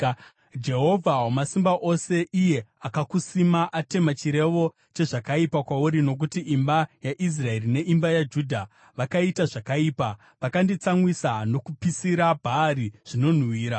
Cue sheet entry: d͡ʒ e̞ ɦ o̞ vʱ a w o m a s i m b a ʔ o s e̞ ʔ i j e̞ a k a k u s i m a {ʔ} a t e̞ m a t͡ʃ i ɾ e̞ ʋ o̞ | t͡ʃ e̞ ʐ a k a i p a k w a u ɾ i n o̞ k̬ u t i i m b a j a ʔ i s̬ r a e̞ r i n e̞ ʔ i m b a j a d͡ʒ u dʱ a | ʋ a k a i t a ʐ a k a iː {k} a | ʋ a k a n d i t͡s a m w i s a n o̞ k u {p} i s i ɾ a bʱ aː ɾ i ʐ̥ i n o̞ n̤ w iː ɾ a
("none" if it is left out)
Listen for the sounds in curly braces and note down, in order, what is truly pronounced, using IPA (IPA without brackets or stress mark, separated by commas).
ʔ, p, p